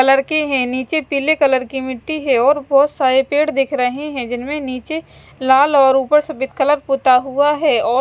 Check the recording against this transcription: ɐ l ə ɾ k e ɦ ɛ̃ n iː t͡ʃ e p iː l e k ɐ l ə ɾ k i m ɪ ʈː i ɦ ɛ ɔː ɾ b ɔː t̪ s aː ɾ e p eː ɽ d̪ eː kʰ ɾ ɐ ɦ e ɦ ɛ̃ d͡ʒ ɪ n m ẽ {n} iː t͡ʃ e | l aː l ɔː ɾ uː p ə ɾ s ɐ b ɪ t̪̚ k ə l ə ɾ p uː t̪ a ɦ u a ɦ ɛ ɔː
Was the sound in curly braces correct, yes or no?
yes